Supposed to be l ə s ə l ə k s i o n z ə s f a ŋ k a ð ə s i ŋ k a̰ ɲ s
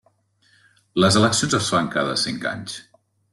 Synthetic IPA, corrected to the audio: l ə z ə l ə k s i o n z ə s f a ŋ k a ð ə s i ŋ k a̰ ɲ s